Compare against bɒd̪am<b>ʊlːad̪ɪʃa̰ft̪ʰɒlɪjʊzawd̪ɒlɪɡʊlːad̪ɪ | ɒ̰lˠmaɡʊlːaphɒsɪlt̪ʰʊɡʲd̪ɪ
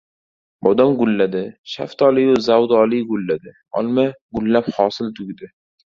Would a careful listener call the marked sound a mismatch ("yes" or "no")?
yes